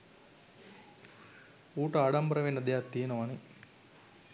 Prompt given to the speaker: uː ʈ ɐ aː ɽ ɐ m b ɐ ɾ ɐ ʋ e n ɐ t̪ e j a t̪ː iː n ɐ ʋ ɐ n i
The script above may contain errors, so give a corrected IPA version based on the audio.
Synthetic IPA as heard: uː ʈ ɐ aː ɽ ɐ m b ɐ ɾ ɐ ʋ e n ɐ d̪ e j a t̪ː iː n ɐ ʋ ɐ n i